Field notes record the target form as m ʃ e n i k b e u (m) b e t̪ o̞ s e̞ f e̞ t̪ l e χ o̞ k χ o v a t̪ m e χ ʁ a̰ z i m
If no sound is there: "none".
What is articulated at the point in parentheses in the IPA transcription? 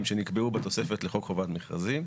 none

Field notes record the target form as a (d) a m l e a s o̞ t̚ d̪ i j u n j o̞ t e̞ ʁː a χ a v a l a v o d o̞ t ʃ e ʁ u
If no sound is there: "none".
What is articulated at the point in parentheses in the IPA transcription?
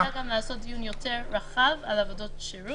ɡ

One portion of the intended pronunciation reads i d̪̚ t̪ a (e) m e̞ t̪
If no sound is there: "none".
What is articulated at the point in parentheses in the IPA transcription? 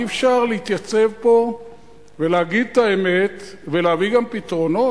e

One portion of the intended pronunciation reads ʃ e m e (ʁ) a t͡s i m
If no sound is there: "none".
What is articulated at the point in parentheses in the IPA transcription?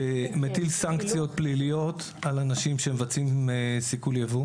v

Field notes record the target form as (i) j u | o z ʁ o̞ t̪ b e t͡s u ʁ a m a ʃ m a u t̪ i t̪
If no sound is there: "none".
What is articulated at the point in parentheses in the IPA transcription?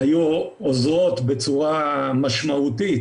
a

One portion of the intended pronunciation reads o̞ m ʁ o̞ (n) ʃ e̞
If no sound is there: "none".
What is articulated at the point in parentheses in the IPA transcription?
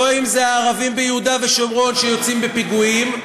n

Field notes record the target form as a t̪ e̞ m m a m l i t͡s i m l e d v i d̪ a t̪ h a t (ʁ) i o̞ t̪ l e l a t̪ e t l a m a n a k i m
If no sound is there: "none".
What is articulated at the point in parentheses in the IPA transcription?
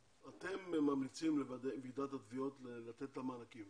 v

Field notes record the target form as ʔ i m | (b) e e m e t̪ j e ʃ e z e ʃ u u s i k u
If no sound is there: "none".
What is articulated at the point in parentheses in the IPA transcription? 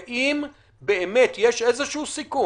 b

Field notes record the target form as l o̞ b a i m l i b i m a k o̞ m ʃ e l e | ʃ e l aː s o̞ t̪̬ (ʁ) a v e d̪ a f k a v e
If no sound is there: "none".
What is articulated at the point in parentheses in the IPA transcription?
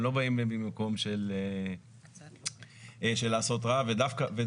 ʁ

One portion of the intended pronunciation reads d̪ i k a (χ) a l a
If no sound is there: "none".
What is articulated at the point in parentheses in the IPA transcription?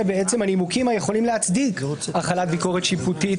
χ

